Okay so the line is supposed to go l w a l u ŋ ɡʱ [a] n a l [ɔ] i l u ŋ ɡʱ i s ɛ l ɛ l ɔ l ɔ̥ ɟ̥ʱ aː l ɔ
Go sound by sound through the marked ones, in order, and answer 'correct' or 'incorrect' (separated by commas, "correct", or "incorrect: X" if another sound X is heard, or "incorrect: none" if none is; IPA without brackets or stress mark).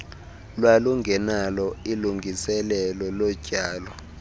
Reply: incorrect: ɛ, correct